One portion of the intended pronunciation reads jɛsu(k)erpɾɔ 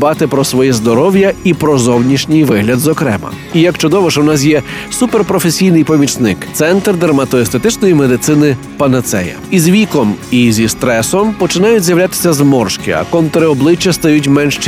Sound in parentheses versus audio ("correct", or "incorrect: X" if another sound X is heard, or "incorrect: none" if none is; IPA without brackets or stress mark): incorrect: p